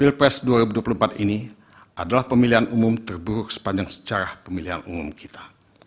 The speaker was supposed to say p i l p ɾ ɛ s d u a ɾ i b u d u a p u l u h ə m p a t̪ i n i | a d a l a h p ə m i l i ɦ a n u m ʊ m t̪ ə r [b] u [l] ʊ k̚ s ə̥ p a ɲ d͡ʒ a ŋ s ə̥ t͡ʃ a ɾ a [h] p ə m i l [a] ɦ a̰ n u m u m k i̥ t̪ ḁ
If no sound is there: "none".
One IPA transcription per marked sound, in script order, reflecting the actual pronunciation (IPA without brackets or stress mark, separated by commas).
b, ɾ, h, i